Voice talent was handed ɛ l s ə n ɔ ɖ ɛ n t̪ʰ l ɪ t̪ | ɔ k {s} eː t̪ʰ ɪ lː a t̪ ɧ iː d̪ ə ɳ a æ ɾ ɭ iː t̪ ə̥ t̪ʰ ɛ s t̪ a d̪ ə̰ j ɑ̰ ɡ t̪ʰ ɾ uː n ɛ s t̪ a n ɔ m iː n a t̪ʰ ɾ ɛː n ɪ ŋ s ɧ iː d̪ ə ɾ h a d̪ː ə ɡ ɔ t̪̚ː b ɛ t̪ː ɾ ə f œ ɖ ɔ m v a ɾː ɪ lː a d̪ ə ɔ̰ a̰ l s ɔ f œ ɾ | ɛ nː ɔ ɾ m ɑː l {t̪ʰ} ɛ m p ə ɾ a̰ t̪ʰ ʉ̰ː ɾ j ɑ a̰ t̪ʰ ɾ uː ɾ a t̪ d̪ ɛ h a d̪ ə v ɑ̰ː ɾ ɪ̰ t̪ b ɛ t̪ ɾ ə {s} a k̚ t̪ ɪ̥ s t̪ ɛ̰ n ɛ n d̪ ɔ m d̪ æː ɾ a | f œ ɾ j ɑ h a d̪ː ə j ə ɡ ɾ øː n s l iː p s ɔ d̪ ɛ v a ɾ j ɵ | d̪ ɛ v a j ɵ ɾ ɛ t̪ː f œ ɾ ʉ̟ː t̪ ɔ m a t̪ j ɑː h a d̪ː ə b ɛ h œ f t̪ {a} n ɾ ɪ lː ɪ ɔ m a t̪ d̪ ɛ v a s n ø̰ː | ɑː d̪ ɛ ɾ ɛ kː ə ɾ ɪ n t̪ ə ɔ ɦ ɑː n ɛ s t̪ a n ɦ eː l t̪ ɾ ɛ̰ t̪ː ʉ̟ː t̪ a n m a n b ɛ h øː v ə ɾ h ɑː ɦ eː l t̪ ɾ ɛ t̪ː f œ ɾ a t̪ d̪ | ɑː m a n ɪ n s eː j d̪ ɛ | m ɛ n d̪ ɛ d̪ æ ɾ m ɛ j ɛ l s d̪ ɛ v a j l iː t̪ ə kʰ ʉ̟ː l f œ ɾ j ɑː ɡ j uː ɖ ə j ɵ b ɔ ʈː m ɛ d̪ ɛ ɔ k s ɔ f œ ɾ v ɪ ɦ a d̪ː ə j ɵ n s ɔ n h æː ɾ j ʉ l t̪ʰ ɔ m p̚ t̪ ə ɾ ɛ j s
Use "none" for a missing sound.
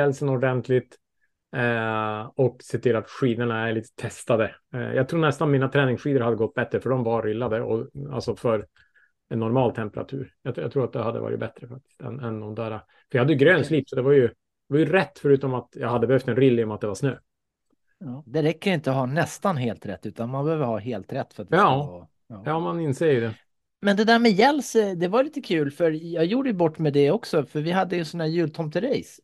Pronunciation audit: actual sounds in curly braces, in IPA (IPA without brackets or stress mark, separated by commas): s, t̪ʰ, f, ɛ